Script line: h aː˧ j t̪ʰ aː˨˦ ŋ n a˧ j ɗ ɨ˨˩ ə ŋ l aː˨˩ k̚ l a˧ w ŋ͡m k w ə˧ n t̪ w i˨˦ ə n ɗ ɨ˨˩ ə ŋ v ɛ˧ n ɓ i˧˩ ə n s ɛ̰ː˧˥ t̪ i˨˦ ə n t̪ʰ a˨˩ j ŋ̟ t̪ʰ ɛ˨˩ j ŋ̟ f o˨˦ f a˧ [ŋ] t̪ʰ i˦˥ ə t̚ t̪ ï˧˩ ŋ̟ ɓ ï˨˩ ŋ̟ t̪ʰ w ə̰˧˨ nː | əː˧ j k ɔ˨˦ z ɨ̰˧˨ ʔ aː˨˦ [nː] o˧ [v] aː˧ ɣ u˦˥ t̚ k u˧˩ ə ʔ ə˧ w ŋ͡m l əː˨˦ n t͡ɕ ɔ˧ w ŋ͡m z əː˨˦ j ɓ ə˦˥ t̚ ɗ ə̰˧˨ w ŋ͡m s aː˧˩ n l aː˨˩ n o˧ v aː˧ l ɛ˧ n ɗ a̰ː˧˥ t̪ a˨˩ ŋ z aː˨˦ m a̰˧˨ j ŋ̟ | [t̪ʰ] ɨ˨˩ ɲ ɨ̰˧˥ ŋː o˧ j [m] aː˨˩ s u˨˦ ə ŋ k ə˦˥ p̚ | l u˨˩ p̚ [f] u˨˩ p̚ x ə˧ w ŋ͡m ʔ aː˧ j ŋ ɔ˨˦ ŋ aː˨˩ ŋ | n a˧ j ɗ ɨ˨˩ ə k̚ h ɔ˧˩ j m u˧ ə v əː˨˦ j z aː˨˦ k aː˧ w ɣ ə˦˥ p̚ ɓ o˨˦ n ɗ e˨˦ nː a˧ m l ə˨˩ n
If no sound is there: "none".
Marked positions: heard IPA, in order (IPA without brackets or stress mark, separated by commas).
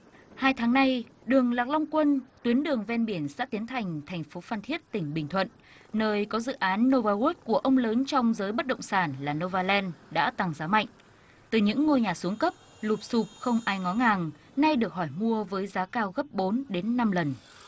n, nː, v, t̪, ɲ, s